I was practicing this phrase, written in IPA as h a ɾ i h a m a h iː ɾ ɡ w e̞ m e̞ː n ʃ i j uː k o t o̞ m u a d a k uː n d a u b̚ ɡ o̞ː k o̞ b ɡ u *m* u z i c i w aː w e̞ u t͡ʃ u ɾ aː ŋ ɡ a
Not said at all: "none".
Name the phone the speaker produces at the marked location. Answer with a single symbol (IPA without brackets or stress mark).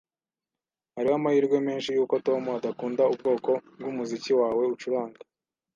m